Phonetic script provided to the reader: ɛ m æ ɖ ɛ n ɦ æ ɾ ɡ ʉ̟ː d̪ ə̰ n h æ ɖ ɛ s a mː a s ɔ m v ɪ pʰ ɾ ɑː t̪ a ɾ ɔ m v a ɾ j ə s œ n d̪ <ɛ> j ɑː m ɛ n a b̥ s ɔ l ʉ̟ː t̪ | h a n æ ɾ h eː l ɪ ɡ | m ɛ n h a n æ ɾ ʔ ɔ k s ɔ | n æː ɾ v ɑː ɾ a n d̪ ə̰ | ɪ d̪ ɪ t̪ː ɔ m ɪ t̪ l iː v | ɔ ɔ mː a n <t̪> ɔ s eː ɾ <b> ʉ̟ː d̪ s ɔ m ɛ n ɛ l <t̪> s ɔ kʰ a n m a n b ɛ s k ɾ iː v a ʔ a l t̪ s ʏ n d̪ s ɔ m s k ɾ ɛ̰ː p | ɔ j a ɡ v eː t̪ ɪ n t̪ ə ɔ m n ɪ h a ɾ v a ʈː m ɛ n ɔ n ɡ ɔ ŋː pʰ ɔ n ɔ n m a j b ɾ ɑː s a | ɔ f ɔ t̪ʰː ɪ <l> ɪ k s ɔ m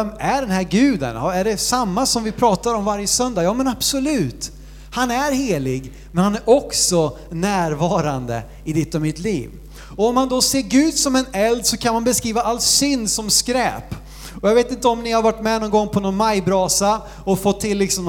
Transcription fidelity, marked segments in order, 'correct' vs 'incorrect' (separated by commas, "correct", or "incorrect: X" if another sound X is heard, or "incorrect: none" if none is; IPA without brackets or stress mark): incorrect: a, incorrect: d̪, incorrect: ɡ, incorrect: d̪, incorrect: lː